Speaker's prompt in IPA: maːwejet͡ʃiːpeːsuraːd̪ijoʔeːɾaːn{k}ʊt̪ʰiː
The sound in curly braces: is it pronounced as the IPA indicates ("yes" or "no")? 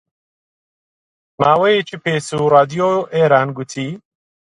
no